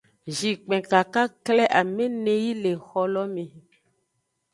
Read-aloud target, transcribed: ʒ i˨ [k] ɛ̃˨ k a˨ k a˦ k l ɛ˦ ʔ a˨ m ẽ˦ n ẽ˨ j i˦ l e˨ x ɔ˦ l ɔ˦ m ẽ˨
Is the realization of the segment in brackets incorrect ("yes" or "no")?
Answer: yes